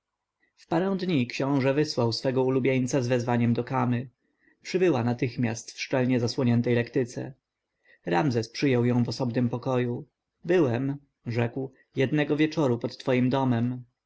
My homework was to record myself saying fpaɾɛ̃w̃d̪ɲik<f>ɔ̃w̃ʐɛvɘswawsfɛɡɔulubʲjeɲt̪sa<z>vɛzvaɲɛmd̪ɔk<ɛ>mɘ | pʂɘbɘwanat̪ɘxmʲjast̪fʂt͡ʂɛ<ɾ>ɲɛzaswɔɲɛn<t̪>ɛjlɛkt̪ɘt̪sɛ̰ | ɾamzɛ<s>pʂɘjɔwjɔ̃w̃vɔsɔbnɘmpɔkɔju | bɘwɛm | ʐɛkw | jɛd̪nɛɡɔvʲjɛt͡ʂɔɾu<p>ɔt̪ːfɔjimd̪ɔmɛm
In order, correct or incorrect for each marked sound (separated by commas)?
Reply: incorrect, correct, incorrect, incorrect, correct, correct, correct